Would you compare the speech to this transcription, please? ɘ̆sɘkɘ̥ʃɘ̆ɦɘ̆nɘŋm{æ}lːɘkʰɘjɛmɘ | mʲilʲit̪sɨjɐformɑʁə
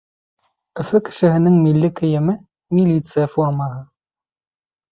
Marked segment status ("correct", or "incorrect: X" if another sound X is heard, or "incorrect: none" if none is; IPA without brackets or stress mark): incorrect: i